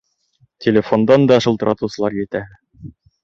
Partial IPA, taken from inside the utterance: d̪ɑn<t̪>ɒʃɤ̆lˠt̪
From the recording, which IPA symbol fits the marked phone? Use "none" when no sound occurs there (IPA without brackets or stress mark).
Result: d̪